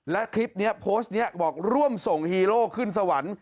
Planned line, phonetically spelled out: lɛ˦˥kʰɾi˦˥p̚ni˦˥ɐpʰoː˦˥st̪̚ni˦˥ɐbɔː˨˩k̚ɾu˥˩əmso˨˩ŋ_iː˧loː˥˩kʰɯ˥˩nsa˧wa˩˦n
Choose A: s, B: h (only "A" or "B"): B